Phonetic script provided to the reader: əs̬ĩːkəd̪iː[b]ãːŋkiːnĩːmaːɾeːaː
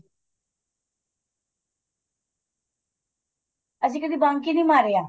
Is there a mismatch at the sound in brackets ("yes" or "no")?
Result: no